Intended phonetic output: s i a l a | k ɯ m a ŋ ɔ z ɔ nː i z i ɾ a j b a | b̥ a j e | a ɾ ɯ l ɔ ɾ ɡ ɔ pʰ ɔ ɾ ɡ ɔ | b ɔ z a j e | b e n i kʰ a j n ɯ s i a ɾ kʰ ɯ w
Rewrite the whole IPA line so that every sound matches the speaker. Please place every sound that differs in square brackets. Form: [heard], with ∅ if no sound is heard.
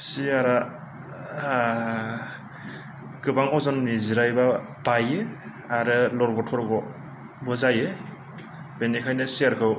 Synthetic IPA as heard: s i a [ɾ] a | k ɯ [b] a ŋ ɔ z ɔ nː i z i ɾ a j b a | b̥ a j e | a ɾ ɯ l ɔ ɾ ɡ ɔ [tʰ] ɔ ɾ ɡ ɔ | b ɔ z a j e | b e n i kʰ a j n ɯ s i a ɾ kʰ ɯ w